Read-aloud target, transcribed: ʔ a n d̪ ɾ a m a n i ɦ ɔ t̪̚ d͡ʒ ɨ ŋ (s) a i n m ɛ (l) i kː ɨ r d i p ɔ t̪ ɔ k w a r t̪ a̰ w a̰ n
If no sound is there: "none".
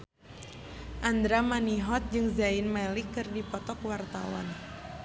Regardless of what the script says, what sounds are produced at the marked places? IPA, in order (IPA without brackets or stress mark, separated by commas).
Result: z, l